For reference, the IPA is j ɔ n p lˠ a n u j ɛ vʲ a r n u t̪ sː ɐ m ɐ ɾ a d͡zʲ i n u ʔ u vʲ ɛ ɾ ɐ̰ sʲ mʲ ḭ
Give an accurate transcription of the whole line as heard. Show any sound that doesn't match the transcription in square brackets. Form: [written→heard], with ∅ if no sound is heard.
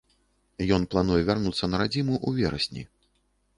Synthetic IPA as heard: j ɔ n p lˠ a n u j ɛ vʲ a r n u t̪ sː ɐ [m→n] ɐ ɾ a d͡zʲ i [n→m] u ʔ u vʲ ɛ ɾ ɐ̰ sʲ [mʲ→nʲ] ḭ